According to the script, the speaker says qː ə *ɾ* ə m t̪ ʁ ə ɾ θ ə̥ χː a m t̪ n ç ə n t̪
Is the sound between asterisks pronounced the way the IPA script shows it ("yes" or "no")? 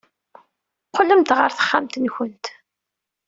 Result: no